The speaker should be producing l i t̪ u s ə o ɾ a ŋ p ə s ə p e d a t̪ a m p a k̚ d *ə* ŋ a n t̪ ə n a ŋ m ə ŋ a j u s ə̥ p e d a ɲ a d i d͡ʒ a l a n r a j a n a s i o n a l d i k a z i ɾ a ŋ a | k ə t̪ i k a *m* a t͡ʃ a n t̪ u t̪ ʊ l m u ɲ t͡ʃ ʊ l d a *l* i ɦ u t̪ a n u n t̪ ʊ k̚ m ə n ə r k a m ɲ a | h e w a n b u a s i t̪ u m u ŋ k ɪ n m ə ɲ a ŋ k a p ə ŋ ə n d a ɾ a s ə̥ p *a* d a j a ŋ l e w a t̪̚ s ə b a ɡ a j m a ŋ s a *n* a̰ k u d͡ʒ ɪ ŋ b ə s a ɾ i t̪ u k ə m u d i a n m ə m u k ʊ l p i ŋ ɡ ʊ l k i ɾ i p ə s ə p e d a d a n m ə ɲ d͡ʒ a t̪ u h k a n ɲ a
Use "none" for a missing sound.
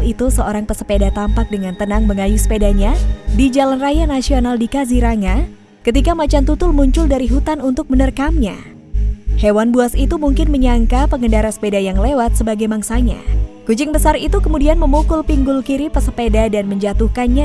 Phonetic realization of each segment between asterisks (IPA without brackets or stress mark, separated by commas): ə, m, ɾ, e, ɲ